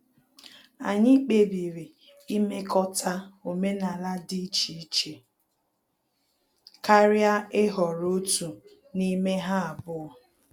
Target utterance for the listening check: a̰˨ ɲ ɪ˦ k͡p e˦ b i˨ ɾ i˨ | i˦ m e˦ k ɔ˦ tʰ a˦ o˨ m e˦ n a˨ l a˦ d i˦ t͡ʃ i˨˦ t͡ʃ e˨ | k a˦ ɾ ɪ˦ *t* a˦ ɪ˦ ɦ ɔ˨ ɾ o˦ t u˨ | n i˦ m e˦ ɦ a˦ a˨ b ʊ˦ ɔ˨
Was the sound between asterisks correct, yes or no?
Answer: no